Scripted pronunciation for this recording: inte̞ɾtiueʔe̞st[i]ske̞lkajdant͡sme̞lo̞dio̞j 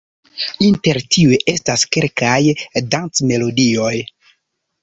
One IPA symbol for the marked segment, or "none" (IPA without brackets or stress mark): a